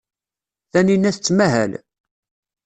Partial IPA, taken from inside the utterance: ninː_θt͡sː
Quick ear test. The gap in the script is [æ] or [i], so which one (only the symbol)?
æ